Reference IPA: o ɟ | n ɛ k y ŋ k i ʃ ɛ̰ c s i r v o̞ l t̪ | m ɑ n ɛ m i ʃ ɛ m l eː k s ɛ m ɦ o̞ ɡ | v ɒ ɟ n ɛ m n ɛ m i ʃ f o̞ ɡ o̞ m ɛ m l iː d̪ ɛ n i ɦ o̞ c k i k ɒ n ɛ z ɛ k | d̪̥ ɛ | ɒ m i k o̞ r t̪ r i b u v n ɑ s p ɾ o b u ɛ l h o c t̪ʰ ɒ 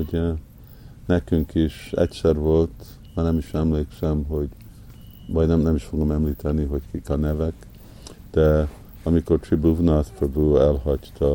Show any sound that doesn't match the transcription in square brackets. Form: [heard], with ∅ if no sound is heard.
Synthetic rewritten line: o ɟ | n ɛ k y ŋ k i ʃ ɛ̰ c s [ɛ] r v o̞ l t̪ | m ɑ n ɛ m i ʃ ɛ m l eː k s ɛ m ɦ o̞ [ɟ] | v ɒ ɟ n ɛ m n ɛ m i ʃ f o̞ ɡ o̞ m ɛ m l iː [t̪] ɛ n i ɦ o̞ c k i k ɒ n ɛ [v] ɛ k | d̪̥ ɛ | ɒ m i k o̞ r t̪ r i b u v n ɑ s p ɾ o b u ɛ l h [ɒ] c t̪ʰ ɒ